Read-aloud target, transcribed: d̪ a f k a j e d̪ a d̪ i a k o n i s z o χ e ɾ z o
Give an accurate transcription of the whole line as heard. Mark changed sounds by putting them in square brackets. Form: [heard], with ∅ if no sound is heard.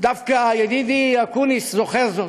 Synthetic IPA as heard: d̪ a f k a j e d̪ [i] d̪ i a k [u] n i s z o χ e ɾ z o

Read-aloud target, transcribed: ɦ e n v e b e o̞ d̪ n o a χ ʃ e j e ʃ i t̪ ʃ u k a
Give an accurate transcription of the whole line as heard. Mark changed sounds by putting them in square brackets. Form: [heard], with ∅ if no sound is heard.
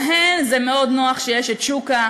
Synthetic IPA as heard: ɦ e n [z] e [m] e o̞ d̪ n o a χ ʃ e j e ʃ [e] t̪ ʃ u k a

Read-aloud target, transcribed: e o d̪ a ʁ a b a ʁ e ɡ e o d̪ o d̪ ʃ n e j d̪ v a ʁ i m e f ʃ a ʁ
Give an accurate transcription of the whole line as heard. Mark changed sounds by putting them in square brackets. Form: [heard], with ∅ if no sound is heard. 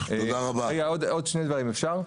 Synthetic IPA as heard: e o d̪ a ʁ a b a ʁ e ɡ [a] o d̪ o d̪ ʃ n e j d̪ v a ʁ i m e f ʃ a ʁ

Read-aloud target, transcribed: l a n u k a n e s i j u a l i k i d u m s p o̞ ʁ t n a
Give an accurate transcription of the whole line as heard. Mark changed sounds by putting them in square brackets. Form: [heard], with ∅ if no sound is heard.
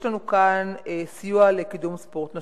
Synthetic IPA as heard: l a n u k a n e s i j u a l [e] k i d u m s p o̞ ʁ t n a

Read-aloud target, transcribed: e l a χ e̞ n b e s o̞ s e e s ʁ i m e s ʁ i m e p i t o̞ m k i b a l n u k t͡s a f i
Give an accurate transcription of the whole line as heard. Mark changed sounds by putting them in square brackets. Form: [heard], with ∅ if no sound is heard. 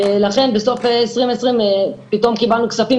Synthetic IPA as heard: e l a χ e̞ n b e s o̞ [f] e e s ʁ i m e s ʁ i m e p i t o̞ m k i b a l n u k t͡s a f i

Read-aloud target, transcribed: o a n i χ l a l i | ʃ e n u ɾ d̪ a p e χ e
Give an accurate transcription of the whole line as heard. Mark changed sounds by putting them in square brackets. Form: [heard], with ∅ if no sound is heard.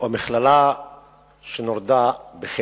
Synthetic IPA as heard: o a [m] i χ l a l [a] | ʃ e n [o] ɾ d̪ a [b] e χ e

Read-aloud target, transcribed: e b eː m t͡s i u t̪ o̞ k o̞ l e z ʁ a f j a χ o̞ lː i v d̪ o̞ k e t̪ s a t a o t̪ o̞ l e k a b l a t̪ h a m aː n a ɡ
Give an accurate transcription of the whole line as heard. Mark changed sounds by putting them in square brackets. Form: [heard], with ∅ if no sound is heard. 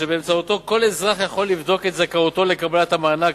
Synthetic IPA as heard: e b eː m t͡s [a] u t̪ o̞ k o̞ l e z ʁ a [χ] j a χ o̞ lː i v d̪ o̞ k e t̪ [z] a [k] a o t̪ o̞ l e k a b l a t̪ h a m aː n a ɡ

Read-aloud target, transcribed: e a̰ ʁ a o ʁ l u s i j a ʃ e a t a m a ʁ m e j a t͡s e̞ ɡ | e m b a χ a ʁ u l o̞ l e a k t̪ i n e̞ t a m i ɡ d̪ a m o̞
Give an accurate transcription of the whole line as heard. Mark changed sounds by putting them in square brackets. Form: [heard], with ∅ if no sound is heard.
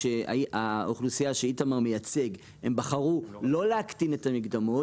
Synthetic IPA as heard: e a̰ [∅] a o [χ] l u s i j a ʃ e [i] t a m a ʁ m e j a t͡s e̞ ɡ | e m b a χ a ʁ u l o̞ l e a k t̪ i n e̞ t a m i ɡ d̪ a m o̞

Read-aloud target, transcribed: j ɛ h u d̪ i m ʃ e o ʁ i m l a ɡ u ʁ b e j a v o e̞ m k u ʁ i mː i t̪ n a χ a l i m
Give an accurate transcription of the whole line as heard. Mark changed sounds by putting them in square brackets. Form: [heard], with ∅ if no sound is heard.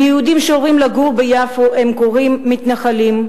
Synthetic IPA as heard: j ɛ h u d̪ i m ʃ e o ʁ i m l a ɡ u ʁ b e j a [f] o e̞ m k [o] ʁ i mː i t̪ n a χ a l i m

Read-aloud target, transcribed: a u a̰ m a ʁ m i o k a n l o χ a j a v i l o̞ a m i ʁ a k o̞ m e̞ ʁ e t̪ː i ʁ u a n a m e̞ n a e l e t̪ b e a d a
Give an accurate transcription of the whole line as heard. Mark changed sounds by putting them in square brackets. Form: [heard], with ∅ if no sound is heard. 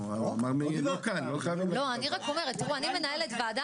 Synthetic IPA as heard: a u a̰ m a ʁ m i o k a n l o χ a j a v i l o̞ a [n] i ʁ a k o̞ m e̞ ʁ e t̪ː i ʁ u a n [i] m e̞ n a e l e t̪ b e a d a

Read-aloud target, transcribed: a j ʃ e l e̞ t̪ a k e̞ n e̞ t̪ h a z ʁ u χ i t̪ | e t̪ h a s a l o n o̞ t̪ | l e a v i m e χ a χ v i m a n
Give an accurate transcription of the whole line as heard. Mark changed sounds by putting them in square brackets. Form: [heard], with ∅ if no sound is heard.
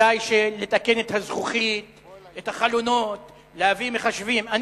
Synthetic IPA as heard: a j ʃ e l e̞ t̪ a k e̞ n e̞ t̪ h a z [χ] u χ i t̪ | e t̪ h a [χ] a l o n o̞ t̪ | l e a v i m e χ a [ʃ] v i m a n

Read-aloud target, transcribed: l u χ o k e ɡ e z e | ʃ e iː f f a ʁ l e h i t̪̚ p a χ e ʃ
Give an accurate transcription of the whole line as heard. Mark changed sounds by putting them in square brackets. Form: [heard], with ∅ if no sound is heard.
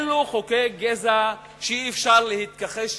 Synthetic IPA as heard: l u χ o k e ɡ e z [a] | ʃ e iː f [ʃ] a ʁ l e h i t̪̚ [k] a χ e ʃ

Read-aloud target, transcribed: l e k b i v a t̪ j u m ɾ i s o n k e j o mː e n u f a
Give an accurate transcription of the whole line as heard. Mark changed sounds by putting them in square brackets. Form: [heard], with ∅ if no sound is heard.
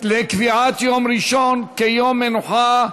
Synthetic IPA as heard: l e k [v] i [ʕ] a t̪ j [o] m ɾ i [ʃ] o n k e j o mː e n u [ħ] a

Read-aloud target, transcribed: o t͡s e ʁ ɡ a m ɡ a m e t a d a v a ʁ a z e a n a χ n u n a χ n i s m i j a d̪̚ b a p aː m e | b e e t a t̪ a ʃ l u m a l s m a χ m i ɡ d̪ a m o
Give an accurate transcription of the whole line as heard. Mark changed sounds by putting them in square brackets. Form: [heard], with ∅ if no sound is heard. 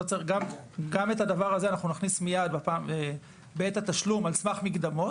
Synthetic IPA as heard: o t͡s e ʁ ɡ a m ɡ a m e t a d a v a ʁ a z e a n a χ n u n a χ n i s m i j a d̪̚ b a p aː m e | b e e t a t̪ a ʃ l u m a l s m a χ m i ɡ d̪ a m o

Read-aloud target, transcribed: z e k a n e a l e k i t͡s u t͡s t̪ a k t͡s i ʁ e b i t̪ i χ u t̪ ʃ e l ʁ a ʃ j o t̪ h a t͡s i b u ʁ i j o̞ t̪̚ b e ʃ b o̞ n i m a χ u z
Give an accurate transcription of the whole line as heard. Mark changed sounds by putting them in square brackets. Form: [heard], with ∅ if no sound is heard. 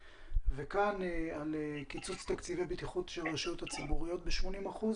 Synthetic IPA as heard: [v] e k a n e a l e k i t͡s u t͡s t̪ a k t͡s i [v] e b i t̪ i χ u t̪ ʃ e l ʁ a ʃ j o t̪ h a t͡s i b u ʁ i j o̞ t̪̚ b e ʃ [m] o̞ n i m a χ u z

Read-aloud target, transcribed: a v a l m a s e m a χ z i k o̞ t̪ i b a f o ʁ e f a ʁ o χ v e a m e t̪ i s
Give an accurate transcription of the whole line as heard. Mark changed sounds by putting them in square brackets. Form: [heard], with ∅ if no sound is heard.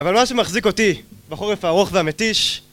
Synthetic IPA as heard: a v a l m a [ʃ] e m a χ z i k o̞ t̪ i b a [χ] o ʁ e f a ʁ o χ v e a m e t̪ i [ʃ]

